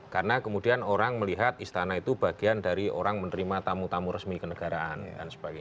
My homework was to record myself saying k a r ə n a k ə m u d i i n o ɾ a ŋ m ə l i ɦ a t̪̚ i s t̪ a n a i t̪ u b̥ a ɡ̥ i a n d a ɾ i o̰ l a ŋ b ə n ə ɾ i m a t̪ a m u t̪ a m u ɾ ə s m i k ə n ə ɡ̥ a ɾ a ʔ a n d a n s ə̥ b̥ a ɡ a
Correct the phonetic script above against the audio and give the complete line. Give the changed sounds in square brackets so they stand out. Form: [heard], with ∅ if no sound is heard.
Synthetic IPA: k a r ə n a k ə m u d i [a] n o ɾ a ŋ m ə l i ɦ a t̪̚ i s t̪ a n a i t̪ u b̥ a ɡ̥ i a n d a ɾ i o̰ [ɾ] a ŋ [m] ə n ə ɾ i m a t̪ a m u t̪ a m u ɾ ə s m i k ə n ə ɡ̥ a ɾ a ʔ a n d a n s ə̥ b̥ a ɡ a

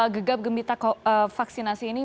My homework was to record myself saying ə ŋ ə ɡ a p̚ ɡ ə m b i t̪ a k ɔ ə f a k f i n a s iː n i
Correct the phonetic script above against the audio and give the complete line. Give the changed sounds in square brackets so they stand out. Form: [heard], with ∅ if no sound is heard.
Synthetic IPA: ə [ɡ] ə ɡ a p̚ ɡ ə m b i t̪ a k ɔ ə f a k [s] i n a s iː n i

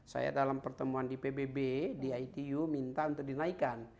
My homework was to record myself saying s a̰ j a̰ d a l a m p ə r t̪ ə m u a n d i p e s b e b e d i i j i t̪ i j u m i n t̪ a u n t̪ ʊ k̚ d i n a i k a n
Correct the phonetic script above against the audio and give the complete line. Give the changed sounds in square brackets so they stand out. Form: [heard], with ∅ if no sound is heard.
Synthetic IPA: s a̰ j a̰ d a l a m p ə r t̪ ə m u a n d i p e [∅] b e b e d i [a] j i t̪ i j u m i n t̪ a u n t̪ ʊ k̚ d i n a i k a n

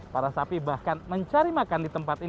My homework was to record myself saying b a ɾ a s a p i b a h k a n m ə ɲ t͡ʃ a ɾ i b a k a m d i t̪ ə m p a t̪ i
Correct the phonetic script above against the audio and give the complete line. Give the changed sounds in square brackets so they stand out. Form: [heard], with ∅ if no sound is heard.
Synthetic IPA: [p] a ɾ a s a p i b a h k a n m ə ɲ t͡ʃ a ɾ i [m] a k a [n] d i t̪ ə m p a t̪ i

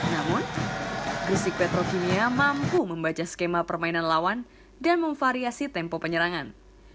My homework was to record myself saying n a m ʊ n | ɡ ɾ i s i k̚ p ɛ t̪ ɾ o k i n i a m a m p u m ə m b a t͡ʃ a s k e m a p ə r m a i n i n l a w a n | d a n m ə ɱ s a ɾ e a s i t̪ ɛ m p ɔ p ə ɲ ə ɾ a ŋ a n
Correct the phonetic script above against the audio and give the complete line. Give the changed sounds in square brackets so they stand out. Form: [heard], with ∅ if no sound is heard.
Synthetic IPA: n a m ʊ n | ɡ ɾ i s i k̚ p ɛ t̪ ɾ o k i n i a m a m p u m ə m b a t͡ʃ a s k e m a p ə r m a i n [a] n l a w a n | d a n m ə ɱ [f] a ɾ [i] a s i t̪ ɛ m p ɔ p ə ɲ ə ɾ a ŋ a n

